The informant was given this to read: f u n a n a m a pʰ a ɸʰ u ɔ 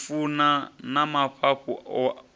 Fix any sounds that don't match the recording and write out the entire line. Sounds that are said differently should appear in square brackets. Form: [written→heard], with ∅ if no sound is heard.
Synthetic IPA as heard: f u n a n a m a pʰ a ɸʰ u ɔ